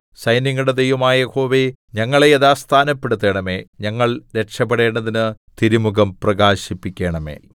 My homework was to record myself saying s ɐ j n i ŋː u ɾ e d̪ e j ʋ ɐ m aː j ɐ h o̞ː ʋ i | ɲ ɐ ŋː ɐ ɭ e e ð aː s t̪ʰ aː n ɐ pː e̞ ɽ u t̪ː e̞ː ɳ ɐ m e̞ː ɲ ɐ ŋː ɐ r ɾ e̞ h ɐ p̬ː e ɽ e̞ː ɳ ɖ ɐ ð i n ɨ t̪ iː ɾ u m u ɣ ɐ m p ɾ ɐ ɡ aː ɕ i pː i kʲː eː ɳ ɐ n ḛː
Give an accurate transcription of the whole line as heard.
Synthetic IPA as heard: s ɐ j n i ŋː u ɽ e d̪ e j ʋ ɐ m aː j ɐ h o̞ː ʋ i | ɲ ɐ ŋː ɐ ɭ e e ð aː s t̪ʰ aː n ɐ pː e̞ ɽ u t̪ː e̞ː ɳ ɐ m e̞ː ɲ ɐ ŋː ɐ ɭ ɾ e̞ ʂ ɐ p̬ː e ɽ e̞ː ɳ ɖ ɐ ð i n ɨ t̪ i ɾ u m u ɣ ɐ m p r ɐ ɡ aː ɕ i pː i kʲː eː ɳ ɐ m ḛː